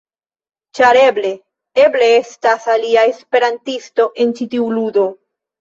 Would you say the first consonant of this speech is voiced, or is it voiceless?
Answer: voiceless